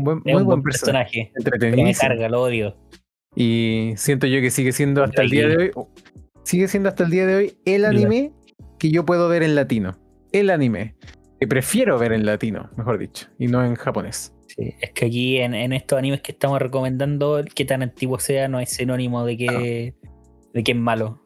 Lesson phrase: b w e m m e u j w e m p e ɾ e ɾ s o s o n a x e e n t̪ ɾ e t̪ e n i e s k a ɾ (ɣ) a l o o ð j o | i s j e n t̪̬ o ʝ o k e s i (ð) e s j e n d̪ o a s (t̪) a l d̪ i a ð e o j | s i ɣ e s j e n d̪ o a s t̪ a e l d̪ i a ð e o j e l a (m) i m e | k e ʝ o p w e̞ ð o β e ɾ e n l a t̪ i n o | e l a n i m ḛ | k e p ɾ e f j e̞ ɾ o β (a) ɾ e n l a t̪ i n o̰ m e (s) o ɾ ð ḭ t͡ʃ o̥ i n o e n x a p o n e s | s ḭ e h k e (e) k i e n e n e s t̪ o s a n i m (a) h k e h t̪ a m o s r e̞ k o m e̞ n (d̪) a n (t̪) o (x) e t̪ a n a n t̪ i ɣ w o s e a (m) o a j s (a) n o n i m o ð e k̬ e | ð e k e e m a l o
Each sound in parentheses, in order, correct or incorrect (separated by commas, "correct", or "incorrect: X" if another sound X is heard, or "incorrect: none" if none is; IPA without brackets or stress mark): correct, incorrect: ɣ, correct, incorrect: n, incorrect: e, incorrect: x, incorrect: a, incorrect: e, correct, incorrect: d̪, incorrect: k, incorrect: n, incorrect: e